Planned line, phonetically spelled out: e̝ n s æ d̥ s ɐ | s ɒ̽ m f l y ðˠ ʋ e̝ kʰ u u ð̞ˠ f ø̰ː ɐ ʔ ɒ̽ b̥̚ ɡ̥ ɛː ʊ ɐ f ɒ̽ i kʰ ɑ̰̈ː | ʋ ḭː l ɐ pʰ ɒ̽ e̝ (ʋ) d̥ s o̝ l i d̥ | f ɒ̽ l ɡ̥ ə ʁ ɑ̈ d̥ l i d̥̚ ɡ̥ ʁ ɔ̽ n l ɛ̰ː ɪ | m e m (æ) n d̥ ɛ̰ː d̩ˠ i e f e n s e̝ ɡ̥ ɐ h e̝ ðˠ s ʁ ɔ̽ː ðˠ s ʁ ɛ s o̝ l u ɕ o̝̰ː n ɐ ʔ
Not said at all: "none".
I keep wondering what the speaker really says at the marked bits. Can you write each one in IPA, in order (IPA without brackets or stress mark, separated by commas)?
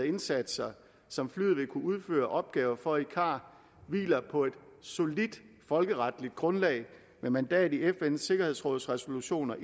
none, æ